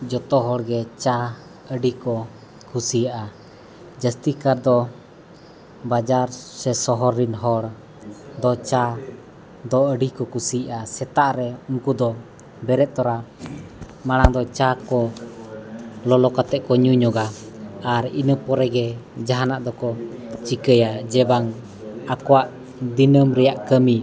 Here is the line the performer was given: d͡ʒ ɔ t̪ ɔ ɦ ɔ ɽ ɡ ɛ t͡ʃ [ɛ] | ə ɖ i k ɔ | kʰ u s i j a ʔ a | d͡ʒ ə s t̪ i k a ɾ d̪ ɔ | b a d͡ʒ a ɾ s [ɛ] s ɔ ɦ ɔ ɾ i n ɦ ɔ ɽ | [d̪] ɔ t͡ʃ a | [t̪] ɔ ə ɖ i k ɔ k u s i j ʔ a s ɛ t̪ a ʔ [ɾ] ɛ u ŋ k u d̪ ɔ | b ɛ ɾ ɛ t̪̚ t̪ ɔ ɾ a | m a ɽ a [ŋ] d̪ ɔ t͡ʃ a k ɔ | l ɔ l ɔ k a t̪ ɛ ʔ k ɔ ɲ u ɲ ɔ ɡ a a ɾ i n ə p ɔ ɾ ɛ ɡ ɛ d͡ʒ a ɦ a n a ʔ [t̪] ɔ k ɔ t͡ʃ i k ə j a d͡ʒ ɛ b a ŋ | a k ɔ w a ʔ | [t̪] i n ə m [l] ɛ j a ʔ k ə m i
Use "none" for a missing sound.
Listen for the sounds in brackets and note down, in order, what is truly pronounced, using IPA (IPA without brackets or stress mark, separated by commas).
a, ɛ, d̪, d̪, ɾ, ŋ, d̪, d̪, ɾ